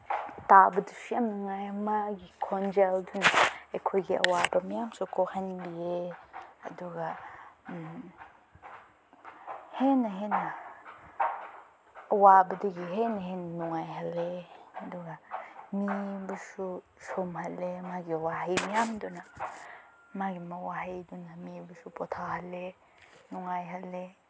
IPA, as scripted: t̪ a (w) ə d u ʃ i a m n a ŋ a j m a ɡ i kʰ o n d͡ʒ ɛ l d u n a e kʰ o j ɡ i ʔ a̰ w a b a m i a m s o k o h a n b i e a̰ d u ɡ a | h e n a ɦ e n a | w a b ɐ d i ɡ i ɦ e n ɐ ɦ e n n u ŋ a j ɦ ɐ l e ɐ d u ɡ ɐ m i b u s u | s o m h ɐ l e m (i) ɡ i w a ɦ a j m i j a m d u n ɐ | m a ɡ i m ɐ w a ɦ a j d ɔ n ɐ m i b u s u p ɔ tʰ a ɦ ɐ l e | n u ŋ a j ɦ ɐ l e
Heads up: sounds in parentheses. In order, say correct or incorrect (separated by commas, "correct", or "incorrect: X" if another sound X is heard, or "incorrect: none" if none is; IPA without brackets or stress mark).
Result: incorrect: b, incorrect: a